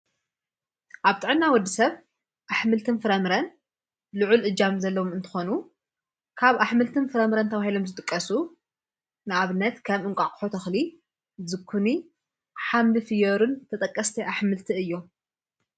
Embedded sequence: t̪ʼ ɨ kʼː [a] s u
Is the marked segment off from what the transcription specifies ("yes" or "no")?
yes